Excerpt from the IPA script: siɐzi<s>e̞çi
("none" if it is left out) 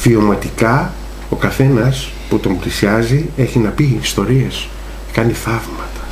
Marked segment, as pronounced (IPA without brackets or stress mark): none